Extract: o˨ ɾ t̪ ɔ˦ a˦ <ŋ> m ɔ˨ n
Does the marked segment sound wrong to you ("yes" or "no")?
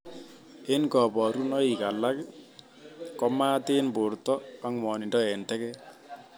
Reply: no